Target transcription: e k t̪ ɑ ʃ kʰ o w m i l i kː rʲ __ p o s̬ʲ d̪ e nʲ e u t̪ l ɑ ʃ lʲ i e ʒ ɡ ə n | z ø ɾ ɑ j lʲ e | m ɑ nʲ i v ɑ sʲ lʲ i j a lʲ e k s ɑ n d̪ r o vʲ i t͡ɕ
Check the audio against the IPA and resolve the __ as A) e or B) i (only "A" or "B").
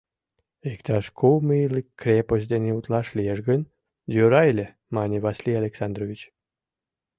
A